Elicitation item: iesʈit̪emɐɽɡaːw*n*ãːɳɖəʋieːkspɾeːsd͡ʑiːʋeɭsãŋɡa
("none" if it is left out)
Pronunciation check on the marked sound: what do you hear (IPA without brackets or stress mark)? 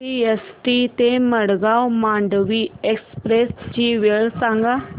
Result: m